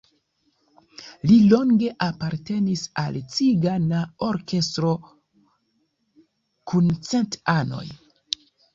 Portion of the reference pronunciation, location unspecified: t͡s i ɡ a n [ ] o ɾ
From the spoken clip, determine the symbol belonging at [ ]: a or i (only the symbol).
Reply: a